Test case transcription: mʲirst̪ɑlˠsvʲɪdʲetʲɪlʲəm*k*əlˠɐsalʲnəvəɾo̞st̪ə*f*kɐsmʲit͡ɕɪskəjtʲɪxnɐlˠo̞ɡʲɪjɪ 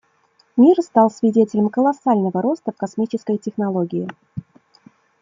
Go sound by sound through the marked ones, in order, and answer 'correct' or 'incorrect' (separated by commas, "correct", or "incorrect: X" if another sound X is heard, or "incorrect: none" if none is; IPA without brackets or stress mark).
correct, correct